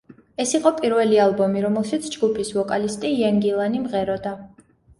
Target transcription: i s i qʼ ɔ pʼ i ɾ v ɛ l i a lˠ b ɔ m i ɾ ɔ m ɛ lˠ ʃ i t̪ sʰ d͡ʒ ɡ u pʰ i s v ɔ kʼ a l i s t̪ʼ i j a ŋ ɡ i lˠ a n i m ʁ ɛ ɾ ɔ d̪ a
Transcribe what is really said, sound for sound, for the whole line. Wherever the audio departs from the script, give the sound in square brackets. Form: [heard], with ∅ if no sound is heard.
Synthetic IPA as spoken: [ɛ] s i qʼ ɔ pʼ i ɾ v ɛ l i a lˠ b ɔ m i ɾ ɔ m ɛ lˠ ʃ i t̪ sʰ d͡ʒ ɡ u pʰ i s v ɔ kʼ a l i s t̪ʼ i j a ŋ ɡ i lˠ a n i m ʁ ɛ ɾ ɔ d̪ a